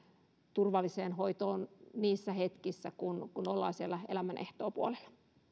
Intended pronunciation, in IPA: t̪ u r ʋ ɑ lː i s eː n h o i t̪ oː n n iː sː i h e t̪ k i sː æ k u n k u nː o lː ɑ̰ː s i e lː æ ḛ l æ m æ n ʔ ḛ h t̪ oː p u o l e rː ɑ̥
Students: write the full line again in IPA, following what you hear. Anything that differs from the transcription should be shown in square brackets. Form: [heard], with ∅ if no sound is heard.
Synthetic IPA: t̪ u r ʋ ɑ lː i s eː n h o i t̪ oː n n iː sː [æ] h e t̪ k i sː æ k u n k u [n] o lː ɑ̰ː s i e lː æ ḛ l æ m æ n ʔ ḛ h t̪ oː p u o l e [lː] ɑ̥